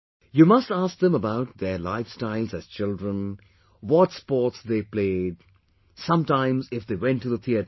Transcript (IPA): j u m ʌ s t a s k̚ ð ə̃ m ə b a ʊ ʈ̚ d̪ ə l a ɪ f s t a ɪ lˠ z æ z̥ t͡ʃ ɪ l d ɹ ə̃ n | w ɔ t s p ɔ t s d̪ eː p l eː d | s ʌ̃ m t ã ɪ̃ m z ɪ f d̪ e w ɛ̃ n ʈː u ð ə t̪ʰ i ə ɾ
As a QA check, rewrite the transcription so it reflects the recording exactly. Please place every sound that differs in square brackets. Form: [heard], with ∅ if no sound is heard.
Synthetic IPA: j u m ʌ s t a s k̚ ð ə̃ m ə b a ʊ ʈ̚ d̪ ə l a ɪ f s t a ɪ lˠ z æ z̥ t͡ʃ ɪ l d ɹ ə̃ n | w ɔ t s p ɔ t s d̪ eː p l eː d | s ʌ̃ m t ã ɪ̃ m z ɪ f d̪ e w ɛ̃ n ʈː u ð ə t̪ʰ i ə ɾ